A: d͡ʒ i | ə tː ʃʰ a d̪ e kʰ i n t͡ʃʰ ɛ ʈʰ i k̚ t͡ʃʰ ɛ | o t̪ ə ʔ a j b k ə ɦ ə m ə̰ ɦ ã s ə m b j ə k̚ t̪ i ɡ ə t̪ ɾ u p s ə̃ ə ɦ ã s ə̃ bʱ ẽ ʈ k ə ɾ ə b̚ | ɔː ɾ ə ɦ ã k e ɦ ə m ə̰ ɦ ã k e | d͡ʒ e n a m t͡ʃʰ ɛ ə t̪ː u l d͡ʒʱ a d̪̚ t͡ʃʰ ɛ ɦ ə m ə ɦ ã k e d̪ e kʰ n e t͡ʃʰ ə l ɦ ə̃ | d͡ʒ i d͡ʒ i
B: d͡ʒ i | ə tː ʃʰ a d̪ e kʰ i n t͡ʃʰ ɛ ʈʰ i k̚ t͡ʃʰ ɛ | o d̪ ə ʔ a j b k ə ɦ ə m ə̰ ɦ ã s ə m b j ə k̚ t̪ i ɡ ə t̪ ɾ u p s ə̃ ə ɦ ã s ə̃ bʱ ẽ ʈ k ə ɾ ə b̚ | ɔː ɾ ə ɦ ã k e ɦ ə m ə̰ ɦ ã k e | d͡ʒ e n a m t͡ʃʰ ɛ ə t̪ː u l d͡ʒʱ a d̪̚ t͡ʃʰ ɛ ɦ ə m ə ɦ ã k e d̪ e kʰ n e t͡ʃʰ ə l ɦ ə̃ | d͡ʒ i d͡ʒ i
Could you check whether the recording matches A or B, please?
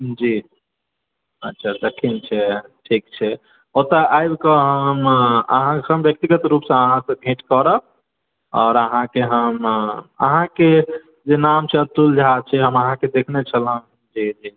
A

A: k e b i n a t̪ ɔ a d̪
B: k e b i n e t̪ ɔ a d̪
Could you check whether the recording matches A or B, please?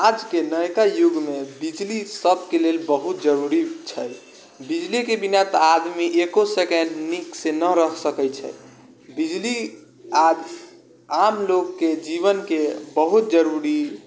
A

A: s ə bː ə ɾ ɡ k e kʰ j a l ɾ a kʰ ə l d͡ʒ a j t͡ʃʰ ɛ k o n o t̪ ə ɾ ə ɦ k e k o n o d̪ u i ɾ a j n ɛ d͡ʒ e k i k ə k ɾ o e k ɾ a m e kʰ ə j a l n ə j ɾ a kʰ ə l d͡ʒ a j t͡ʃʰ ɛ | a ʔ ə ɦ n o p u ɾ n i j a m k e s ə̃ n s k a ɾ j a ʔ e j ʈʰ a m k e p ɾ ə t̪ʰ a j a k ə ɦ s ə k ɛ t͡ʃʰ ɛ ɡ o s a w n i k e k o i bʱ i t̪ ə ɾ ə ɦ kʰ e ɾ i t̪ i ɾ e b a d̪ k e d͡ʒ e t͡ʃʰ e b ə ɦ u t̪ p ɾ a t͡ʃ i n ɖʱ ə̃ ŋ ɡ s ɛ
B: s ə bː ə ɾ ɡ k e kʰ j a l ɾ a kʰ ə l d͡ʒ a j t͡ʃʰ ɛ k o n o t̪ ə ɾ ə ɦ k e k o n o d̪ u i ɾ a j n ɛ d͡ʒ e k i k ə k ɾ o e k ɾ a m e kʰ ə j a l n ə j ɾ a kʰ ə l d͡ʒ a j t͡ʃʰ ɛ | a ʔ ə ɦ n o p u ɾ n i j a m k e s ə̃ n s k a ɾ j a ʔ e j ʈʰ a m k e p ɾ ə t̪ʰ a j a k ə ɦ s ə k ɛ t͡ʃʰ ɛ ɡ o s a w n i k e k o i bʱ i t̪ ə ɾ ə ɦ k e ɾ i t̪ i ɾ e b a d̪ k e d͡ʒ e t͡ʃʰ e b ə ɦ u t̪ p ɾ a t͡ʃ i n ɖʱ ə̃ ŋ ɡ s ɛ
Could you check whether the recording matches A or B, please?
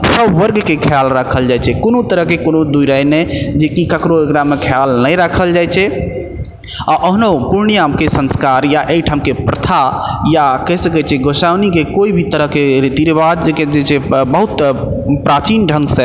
B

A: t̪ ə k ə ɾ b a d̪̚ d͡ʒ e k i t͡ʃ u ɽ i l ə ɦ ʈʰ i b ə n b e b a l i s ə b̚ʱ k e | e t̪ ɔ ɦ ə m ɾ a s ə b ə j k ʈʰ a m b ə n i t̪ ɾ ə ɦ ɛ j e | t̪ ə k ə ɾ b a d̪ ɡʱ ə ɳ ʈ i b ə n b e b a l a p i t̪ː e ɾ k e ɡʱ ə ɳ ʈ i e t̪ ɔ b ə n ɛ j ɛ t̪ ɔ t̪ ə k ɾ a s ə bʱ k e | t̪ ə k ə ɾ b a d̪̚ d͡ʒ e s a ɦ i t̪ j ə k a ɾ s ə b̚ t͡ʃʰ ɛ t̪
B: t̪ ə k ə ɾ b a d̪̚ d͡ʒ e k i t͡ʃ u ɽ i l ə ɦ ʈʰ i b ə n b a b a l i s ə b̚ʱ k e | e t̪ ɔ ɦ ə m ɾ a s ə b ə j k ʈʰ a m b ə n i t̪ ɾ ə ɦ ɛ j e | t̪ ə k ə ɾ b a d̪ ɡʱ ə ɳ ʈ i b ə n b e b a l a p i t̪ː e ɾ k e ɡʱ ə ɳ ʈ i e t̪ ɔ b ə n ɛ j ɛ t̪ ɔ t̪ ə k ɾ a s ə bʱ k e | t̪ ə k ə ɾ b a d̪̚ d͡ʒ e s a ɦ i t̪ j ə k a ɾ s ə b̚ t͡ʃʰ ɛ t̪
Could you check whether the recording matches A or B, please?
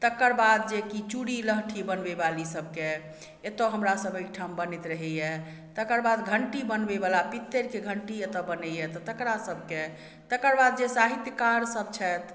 A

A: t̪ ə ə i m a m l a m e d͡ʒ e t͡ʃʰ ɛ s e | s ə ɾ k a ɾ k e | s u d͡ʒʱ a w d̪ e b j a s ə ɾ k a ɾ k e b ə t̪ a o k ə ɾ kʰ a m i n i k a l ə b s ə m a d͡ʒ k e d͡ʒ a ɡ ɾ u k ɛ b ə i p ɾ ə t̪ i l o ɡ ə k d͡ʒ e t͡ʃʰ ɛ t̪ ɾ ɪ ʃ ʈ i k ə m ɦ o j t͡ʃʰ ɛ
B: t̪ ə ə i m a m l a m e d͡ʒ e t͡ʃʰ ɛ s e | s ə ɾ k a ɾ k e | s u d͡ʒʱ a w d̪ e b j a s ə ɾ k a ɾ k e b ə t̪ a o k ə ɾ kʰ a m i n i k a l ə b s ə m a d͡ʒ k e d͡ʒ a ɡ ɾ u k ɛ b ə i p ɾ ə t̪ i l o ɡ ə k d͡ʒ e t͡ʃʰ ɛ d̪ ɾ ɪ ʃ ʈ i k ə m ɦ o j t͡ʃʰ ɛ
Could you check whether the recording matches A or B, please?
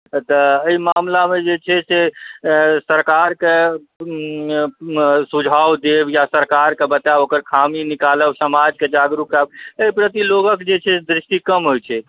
B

